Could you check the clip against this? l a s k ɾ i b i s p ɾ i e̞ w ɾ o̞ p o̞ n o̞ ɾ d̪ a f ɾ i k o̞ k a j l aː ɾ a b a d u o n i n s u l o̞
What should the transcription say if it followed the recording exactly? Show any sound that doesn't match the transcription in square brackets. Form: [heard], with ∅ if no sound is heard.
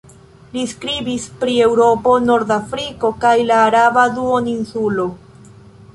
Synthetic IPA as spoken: l [i] s k ɾ i b i s p ɾ i e̞ w ɾ o̞ p o̞ n o̞ ɾ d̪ a f ɾ i k o̞ k a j l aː ɾ a b a d u o n i n s u l o̞